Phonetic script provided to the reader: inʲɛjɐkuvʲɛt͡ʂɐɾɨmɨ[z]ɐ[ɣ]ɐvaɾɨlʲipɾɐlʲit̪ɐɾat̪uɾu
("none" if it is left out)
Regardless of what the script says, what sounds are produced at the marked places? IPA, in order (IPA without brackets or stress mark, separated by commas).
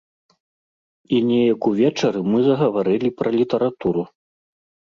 z, ɣ